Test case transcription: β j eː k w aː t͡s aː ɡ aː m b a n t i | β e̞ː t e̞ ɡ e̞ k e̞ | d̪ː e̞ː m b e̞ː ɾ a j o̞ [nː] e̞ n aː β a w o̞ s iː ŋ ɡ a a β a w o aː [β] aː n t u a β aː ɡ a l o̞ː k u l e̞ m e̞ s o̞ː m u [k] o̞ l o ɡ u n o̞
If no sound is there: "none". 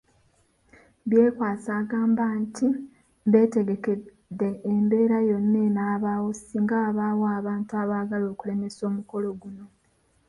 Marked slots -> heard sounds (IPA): nː, β, k

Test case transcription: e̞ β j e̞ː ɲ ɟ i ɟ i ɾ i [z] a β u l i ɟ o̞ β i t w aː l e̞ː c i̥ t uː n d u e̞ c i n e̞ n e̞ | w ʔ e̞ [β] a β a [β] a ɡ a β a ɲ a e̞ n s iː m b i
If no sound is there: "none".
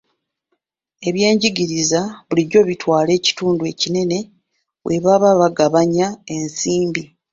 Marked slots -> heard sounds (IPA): z, β, β

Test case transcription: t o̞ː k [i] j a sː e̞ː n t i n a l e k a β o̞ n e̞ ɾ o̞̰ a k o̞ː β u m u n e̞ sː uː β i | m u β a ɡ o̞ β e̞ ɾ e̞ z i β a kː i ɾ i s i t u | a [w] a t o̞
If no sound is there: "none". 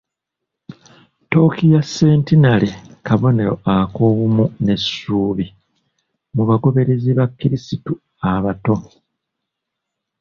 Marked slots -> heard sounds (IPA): i, β

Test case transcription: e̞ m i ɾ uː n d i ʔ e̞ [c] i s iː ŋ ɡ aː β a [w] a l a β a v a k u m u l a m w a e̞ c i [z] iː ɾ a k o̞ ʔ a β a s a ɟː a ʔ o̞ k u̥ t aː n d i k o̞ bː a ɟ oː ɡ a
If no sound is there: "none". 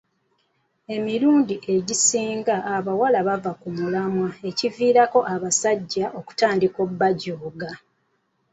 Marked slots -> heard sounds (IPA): ɟ, w, v

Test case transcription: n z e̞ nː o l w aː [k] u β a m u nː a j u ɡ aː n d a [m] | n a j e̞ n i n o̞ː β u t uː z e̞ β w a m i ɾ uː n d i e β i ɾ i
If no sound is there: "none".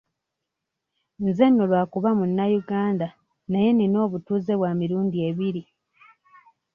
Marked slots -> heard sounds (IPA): k, none

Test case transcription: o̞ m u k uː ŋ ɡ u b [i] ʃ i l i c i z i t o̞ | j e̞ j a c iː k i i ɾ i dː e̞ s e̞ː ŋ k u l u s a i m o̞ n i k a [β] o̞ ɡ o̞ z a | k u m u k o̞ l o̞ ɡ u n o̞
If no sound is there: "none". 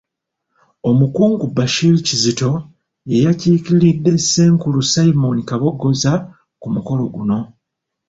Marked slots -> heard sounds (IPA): a, β

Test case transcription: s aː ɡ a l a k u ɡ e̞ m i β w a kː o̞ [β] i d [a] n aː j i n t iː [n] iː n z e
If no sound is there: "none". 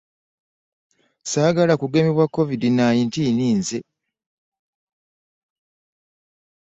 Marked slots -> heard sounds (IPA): v, i, n

